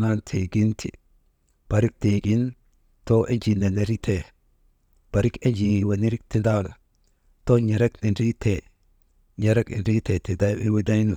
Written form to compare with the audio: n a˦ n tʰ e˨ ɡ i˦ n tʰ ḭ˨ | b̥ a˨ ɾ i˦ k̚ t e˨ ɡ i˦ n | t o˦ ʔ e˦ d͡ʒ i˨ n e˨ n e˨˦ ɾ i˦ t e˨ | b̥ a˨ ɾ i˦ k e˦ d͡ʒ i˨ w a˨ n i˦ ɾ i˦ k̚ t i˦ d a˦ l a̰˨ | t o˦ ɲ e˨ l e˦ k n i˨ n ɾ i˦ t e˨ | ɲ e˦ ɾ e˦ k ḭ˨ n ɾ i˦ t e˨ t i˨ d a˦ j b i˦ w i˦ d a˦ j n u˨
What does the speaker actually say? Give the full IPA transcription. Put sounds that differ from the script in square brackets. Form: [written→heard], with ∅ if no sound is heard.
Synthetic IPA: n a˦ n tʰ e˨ ɡ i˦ n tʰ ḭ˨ | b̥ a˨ ɾ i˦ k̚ t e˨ ɡ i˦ n | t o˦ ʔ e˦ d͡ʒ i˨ n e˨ n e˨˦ ɾ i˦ t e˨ | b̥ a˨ ɾ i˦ k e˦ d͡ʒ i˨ w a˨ n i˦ ɾ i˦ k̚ t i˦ d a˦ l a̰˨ | t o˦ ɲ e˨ [l→ɾ] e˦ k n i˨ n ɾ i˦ t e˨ | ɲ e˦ ɾ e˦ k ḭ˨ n ɾ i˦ t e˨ t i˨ d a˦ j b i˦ w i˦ d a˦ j n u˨